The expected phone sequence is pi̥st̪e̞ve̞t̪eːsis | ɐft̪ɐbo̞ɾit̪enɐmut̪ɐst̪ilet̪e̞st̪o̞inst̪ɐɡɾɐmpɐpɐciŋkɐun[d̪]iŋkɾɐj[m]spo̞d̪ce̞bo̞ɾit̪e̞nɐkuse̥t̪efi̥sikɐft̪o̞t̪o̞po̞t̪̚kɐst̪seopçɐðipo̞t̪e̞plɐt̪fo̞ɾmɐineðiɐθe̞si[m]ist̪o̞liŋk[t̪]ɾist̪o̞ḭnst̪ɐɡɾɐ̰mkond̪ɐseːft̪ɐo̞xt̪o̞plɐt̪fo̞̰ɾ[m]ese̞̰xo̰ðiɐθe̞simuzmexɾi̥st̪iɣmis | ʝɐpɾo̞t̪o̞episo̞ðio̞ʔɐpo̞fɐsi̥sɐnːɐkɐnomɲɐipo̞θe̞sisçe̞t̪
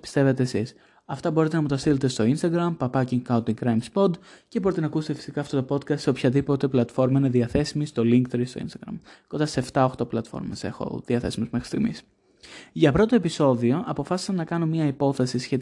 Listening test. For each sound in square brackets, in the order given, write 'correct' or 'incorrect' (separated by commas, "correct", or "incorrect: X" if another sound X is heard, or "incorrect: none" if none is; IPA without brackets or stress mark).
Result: incorrect: t̪, correct, correct, correct, correct